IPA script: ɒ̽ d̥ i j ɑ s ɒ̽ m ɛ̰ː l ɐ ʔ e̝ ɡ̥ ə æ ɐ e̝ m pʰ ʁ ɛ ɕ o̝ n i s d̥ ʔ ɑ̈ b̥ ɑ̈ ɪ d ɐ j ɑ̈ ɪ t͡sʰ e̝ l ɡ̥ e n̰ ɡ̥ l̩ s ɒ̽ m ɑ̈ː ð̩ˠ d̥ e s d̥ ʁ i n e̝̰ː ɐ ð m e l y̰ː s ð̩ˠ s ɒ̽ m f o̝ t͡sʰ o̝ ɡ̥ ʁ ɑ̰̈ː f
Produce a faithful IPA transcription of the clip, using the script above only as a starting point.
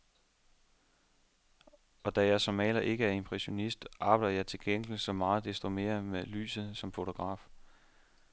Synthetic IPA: ɒ̽ d̥ æ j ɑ s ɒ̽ m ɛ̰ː l ɐ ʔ e̝ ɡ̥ ə æ ɐ e̝ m pʰ ʁ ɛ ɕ o̝ n i s d̥ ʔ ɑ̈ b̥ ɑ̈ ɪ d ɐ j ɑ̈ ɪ t͡sʰ e̝ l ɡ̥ e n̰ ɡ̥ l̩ s ɒ̽ m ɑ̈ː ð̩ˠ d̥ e s d̥ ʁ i m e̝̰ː ɐ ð m e l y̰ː s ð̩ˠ s ɒ̽ m f o̝ t͡sʰ o̝ ɡ̥ ʁ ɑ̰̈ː f